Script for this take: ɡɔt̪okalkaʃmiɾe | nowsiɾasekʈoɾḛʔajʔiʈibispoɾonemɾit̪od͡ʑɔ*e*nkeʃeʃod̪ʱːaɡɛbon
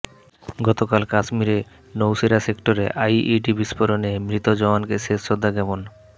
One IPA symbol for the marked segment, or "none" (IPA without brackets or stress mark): a